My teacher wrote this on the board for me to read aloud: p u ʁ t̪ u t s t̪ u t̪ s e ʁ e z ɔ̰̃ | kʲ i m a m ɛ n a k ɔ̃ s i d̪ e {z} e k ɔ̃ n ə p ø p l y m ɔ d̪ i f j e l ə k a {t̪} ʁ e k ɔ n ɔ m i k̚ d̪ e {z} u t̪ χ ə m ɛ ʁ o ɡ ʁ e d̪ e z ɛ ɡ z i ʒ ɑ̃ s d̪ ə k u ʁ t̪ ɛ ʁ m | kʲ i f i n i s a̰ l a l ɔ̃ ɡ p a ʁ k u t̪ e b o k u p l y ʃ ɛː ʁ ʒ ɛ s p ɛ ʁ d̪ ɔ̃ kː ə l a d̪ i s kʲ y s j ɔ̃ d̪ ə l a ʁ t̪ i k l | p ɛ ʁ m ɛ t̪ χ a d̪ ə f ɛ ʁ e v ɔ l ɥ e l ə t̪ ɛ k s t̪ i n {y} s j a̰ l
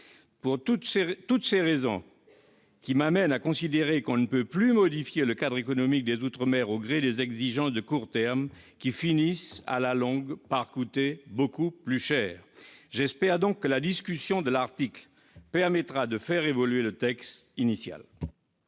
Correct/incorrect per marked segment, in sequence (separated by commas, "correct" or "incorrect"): incorrect, incorrect, correct, incorrect